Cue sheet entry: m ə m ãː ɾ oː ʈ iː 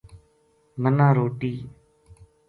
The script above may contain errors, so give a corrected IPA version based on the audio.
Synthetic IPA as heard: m ə n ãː ɾ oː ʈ iː